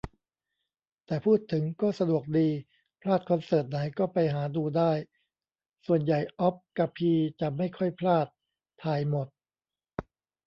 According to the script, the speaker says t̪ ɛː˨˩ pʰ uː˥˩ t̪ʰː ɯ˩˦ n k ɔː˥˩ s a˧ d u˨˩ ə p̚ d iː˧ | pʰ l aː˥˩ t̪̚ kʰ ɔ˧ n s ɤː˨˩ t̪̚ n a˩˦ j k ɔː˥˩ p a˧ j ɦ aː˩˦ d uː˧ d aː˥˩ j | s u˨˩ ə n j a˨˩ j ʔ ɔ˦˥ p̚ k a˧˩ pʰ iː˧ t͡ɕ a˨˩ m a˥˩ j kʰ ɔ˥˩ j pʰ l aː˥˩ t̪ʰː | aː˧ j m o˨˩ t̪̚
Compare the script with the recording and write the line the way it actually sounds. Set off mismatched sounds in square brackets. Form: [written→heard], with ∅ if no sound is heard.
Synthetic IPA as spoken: t̪ ɛː˨˩ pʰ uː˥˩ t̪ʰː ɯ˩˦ [n→ŋ] k ɔː˥˩ s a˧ d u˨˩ ə [p̚→k̚] d iː˧ | pʰ l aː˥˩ t̪̚ kʰ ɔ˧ n s ɤː˨˩ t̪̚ n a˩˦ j k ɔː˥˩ p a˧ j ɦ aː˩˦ d uː˧ d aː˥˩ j | s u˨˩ ə n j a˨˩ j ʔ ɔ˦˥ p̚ k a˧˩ pʰ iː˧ t͡ɕ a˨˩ m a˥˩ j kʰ ɔ˥˩ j pʰ l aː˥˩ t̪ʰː | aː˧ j m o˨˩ t̪̚